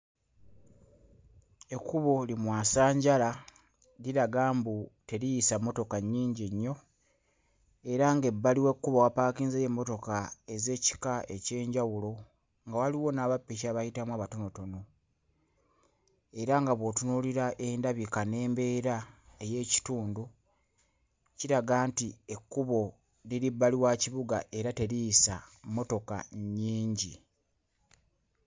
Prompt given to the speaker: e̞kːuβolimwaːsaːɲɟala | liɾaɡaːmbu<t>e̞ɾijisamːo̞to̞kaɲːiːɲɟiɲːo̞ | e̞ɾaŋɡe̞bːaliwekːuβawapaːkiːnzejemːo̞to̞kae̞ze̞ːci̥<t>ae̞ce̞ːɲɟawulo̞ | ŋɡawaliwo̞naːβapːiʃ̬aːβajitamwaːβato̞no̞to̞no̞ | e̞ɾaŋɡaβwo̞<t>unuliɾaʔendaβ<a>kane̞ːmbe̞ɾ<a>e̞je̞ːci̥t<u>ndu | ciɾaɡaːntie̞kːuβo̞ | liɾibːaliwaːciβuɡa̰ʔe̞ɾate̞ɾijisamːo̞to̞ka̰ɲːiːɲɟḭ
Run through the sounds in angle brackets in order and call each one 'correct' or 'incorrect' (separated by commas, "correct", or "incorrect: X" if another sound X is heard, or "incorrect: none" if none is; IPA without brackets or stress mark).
correct, incorrect: k, correct, incorrect: i, correct, incorrect: uː